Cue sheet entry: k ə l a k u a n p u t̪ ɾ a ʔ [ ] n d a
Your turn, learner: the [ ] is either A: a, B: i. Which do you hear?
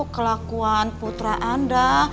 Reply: A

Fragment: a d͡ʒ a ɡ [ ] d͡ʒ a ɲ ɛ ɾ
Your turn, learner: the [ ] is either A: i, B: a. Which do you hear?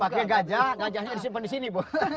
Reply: B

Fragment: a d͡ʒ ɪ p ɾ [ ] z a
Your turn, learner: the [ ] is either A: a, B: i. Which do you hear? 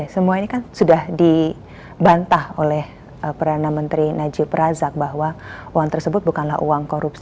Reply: A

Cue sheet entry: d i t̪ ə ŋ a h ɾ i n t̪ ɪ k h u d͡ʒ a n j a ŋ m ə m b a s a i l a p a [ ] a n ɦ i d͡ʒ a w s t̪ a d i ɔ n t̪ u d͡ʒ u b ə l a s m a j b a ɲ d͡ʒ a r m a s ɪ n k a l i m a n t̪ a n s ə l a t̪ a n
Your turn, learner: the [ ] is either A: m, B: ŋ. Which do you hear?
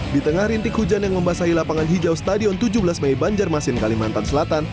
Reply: B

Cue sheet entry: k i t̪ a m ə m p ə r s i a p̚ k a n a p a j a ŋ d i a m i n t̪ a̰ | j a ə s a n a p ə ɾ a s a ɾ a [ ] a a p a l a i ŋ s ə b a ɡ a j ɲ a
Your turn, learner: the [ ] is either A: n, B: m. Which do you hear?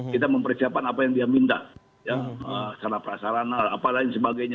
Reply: A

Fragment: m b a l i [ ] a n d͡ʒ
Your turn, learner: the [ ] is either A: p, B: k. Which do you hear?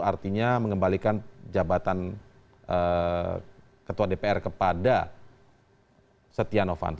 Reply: B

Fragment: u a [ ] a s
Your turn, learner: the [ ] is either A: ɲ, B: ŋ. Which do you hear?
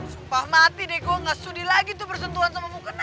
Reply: B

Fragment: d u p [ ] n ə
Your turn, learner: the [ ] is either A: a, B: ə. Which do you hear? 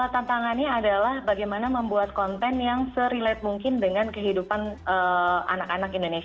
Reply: A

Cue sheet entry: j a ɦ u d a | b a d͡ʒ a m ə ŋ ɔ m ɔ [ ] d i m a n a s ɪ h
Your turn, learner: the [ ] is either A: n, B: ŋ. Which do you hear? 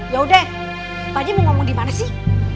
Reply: B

